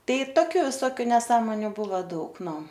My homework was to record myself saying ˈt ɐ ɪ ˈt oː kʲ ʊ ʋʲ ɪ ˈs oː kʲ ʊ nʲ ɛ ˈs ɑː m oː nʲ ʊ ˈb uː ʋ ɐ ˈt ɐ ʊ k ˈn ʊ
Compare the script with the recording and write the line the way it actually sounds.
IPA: ˈt ɐ ɪ ˈt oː kʲ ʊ ʋʲ ɪ ˈs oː kʲ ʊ nʲ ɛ ˈs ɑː m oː nʲ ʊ ˈb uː ʋ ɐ ˈd ɐ ʊ k ˈn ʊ